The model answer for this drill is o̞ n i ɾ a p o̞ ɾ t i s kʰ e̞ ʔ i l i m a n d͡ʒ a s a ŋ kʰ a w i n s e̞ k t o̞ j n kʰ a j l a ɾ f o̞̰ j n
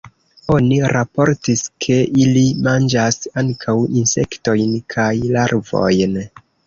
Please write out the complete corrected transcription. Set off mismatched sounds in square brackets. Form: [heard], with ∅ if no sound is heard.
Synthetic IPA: o̞ n i ɾ a p o̞ ɾ t i s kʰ e̞ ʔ i l i m a n d͡ʒ a s a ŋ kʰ a w i n s e̞ k t o̞ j n kʰ a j l a ɾ [v] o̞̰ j n

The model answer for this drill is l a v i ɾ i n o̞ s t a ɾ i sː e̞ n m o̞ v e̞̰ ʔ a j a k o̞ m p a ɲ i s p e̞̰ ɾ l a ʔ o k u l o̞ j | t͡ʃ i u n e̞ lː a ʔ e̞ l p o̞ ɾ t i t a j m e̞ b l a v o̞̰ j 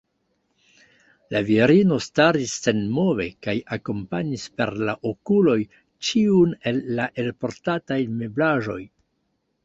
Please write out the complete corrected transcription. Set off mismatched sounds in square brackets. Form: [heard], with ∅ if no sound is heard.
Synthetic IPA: l a v i ɾ i n o̞ s t a ɾ i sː e̞ n m o̞ v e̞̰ [k] a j a k o̞ m p a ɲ i s p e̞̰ ɾ l a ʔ o k u l o̞ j | t͡ʃ i u n e̞ lː a ʔ e̞ l p o̞ ɾ t [a] t a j m e̞ b l a [ʒ] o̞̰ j

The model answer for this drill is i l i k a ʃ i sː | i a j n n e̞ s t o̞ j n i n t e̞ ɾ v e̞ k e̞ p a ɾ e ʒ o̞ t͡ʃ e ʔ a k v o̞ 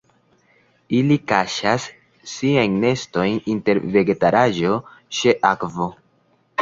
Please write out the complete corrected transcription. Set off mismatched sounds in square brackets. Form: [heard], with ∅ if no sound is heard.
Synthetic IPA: i l i k a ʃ [a] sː | i a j n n e̞ s t o̞ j n i n t e̞ ɾ v e̞ [ɡ] e̞ [t] a ɾ [a] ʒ o̞ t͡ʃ e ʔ a k v o̞

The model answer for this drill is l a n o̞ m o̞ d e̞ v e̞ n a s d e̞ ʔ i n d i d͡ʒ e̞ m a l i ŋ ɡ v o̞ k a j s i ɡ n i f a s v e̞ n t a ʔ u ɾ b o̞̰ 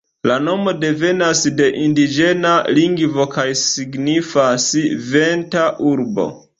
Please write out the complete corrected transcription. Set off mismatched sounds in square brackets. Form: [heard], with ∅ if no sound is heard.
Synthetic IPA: l a n o̞ m o̞ d e̞ v e̞ n a s d e̞ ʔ i n d i d͡ʒ e̞ [n] a l i ŋ ɡ v o̞ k a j s i ɡ n i f a s v e̞ n t a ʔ u ɾ b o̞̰

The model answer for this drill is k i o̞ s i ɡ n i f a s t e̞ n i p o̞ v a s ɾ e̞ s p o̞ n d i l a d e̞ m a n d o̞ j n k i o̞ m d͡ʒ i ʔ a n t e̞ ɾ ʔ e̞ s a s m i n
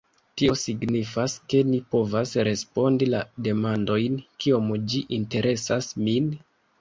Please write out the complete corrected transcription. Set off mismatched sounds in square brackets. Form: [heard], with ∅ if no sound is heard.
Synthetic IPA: [t] i o̞ s i ɡ n i f a s [k] e̞ n i p o̞ v a s ɾ e̞ s p o̞ n d i l a d e̞ m a n d o̞ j n k i o̞ m d͡ʒ i ʔ [i] n t e̞ ɾ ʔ e̞ s a s m i n

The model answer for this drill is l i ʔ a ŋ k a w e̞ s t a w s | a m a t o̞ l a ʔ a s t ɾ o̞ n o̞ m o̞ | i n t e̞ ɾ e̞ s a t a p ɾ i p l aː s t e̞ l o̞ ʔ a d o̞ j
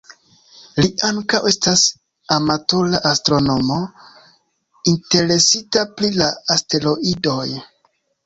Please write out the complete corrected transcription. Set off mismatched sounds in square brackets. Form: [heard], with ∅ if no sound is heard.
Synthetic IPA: l i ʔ a ŋ k a w e̞ s t a [∅] s | a m a t o̞ l a ʔ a s t ɾ o̞ n o̞ m o̞ | i n t e̞ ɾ e̞ s [i] t a p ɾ i [∅] l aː s t e̞ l o̞ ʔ [i] d o̞ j

